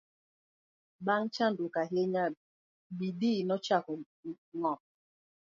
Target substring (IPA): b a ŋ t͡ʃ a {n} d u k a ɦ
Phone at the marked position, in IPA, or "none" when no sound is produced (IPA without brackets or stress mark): n